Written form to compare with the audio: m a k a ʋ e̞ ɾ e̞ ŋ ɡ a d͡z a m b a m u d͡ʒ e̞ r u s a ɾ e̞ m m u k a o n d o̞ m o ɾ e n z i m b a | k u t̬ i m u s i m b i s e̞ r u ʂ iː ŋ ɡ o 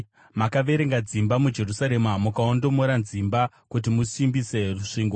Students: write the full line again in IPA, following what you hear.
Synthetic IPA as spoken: m a k a ʋ e̞ ɾ e̞ ŋ ɡ a d͡z i m b a m u d͡ʒ e̞ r u s a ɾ e̞ m m u k a o n d o̞ m o ɾ a n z i m b a | k u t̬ i m u s i m b i s e̞ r u ʂ iː ŋ ɡ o

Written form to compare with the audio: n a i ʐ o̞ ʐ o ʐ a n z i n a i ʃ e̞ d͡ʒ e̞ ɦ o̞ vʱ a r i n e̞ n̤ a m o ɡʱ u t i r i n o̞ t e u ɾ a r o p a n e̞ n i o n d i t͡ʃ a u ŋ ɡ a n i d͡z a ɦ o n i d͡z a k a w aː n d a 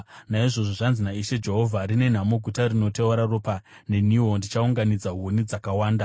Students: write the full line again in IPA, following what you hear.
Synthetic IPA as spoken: n a i ʐ o̞ ʐ o ʐ a n z i n a i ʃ e̞ d͡ʒ e̞ ɦ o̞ vʱ a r i n e̞ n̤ a m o ɡʱ u t a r i n o̞ t e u ɾ a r o p a n e̞ n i o n d i t͡ʃ a u ŋ ɡ a n i d͡z a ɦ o n i d͡z a k a w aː n d a

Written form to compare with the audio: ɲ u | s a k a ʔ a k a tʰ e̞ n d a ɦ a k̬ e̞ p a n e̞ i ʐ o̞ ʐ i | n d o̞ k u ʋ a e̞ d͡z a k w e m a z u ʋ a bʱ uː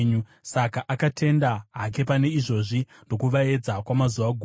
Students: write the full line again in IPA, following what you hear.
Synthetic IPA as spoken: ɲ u | s a k a ʔ a k a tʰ e̞ n d a ɦ a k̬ e̞ p a n e̞ i ʐ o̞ ʐ i | n d o̞ k u ʋ a e̞ d͡z a k w a m a z u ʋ a ɡʱ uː

